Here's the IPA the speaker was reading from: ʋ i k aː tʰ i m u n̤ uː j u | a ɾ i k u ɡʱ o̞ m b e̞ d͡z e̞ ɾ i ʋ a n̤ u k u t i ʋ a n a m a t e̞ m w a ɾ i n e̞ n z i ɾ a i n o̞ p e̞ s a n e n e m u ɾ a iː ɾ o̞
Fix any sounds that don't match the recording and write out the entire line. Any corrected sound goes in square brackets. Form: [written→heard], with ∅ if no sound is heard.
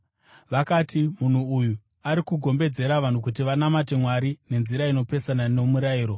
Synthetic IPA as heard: ʋ [i→a] k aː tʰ i m u n̤ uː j u | a ɾ i k u ɡʱ o̞ m b e̞ d͡z e̞ ɾ [i→a] ʋ a n̤ u k u t i ʋ a n a m a t e̞ m w a ɾ i n e̞ n z i ɾ a i n o̞ p e̞ s a n [e→a] n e m u ɾ a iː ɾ o̞